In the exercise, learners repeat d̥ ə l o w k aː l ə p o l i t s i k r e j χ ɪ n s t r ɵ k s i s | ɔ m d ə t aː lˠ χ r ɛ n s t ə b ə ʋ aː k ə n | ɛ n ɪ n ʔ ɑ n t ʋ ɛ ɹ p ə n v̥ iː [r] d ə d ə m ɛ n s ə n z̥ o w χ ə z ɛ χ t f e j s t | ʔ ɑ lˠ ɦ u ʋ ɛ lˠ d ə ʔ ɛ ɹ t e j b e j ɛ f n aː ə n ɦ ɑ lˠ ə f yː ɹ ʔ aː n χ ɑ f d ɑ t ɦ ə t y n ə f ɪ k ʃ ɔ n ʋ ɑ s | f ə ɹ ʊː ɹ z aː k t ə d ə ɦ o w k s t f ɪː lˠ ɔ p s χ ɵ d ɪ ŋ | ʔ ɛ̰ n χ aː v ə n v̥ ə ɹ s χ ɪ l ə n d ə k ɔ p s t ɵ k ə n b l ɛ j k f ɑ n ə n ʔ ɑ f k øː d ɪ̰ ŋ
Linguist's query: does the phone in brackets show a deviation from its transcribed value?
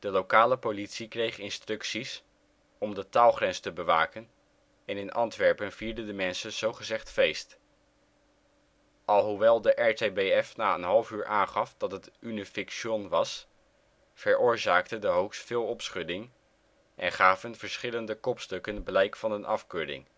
yes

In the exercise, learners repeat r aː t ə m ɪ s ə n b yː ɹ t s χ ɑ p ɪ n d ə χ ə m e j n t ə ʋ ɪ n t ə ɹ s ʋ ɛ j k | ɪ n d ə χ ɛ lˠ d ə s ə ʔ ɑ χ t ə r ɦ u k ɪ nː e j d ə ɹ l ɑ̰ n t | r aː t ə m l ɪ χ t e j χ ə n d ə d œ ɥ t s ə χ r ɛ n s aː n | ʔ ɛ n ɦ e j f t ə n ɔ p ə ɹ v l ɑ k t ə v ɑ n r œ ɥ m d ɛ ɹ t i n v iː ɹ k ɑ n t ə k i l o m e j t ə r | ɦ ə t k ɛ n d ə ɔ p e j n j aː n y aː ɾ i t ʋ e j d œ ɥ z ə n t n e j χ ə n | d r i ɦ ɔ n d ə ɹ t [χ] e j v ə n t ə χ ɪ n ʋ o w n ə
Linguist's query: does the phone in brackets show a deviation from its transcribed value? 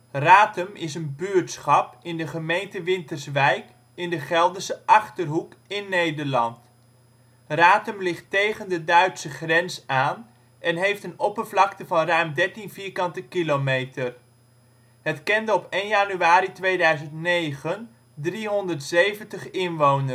yes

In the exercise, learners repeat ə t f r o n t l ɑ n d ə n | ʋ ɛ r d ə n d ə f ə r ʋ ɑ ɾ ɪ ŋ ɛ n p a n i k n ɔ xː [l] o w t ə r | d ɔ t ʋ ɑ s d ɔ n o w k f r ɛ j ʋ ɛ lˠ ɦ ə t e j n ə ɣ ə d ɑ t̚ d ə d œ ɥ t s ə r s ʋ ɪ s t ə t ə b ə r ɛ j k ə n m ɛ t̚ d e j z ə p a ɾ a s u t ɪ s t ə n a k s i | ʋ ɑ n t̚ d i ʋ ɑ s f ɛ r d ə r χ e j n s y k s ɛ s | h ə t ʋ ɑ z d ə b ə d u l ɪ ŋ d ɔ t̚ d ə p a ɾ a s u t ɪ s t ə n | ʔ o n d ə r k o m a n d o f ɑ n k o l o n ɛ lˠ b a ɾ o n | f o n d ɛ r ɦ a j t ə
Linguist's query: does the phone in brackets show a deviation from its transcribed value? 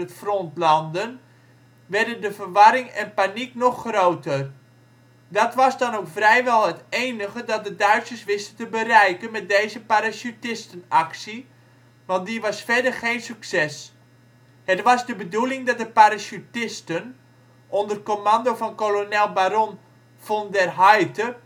yes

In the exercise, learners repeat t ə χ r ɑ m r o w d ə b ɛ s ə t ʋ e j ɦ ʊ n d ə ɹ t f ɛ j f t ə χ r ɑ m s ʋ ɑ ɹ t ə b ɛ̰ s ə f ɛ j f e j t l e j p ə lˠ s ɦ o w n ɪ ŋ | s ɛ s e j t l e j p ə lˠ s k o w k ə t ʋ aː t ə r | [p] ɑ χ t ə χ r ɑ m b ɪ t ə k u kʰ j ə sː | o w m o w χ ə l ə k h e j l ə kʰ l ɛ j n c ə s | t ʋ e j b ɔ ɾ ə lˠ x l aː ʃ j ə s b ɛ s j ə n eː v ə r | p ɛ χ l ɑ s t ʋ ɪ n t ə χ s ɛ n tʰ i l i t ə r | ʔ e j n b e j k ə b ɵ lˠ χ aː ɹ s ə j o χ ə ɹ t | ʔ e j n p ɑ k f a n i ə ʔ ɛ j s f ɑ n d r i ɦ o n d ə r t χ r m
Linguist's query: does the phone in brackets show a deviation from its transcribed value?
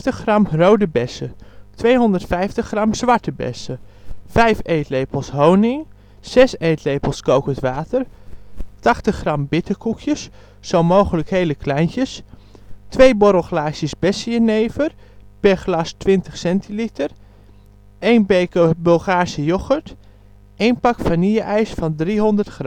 yes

